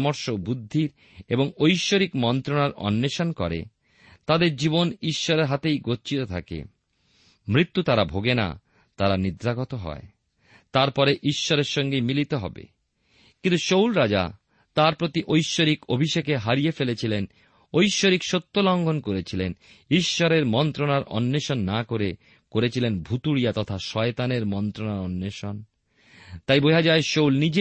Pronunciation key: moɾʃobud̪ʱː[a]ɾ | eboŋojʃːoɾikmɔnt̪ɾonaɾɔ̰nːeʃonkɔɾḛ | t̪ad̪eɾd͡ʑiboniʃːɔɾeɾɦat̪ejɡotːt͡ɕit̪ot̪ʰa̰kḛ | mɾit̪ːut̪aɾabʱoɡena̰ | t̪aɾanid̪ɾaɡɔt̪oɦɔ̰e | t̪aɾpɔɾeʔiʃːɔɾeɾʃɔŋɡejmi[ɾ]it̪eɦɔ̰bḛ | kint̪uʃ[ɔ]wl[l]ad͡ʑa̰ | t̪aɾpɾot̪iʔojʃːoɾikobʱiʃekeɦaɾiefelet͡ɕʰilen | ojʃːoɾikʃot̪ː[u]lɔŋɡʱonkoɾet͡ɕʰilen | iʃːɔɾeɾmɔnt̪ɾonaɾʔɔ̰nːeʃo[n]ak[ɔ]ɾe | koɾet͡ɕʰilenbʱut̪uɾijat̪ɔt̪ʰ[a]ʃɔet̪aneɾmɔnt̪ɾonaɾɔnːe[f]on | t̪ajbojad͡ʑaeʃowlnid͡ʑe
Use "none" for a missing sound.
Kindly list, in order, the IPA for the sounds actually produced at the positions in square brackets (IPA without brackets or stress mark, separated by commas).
i, l, o, ɾ, o, nː, o, a, ʃ